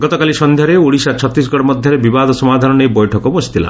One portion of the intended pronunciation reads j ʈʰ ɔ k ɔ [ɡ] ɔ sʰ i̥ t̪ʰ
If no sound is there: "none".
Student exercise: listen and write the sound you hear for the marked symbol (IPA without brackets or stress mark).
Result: b